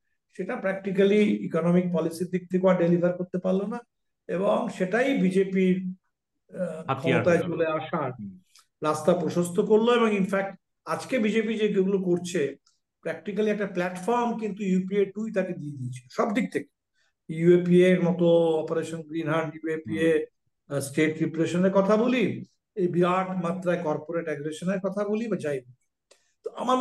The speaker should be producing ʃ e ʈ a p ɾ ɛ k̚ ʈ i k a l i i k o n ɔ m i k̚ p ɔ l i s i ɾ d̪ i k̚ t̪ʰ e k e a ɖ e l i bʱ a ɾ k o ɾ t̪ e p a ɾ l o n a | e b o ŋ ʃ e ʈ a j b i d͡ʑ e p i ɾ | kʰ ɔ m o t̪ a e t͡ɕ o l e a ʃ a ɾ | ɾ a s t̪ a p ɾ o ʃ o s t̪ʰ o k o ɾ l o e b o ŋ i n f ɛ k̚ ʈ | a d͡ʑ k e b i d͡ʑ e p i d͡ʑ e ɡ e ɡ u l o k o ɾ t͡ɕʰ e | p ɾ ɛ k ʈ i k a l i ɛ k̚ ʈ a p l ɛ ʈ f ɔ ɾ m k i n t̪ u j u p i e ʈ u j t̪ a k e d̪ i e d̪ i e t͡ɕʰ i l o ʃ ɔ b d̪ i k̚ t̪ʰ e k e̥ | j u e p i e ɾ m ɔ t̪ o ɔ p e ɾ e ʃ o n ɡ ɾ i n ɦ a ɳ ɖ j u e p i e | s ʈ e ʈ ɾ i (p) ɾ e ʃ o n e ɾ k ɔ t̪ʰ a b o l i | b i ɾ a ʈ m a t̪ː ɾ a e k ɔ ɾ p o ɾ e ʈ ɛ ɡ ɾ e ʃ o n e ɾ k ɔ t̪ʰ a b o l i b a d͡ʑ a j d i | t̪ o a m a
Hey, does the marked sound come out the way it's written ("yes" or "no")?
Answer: yes